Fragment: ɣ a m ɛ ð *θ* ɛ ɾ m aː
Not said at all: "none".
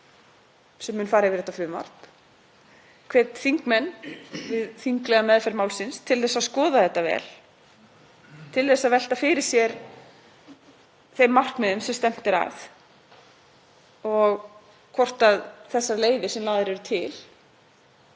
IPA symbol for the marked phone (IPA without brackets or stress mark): f